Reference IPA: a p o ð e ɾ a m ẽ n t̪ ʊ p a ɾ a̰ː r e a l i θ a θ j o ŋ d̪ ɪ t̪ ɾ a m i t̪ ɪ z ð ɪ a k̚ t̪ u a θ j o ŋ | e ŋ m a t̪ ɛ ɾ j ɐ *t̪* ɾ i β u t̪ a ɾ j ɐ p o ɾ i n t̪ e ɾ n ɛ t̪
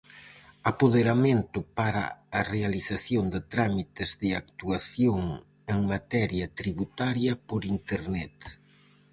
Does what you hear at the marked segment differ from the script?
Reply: no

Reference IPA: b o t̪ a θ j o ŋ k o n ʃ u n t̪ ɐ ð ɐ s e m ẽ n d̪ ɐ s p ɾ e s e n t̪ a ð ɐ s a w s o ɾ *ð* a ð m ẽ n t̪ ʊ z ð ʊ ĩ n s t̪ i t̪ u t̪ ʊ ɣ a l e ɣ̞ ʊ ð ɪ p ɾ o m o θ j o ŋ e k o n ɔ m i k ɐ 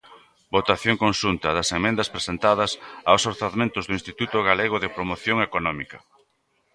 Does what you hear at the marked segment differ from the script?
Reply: yes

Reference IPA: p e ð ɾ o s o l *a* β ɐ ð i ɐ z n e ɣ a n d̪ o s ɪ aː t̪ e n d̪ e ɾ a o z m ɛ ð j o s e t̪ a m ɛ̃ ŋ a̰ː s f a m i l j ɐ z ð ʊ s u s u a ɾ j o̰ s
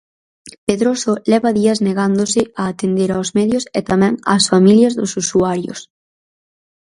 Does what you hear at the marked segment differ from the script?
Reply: yes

